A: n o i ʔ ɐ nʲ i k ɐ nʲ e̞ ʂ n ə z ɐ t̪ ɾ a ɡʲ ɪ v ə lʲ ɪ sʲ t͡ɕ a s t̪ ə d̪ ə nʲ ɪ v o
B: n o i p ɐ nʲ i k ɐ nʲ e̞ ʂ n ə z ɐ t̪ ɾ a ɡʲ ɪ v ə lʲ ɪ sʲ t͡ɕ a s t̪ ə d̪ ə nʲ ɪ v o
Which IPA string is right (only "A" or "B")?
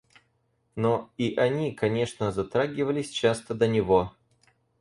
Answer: A